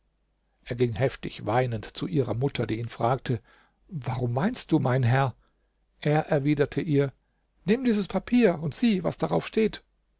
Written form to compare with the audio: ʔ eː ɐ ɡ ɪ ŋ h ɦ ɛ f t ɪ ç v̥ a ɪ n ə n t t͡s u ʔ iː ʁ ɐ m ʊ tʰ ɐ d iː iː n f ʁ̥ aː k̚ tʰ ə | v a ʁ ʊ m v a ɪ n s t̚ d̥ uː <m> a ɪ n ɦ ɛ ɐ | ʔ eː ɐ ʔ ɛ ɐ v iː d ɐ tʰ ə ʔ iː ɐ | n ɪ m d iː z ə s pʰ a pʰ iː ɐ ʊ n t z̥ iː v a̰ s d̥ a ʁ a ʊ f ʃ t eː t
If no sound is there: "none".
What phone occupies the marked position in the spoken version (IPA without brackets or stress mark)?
m